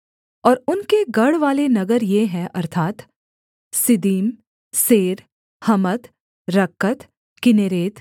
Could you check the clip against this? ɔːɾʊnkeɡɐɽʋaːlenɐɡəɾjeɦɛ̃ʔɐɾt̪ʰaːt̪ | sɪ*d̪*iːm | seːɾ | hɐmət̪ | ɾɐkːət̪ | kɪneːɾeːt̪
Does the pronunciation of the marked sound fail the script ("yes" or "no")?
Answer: no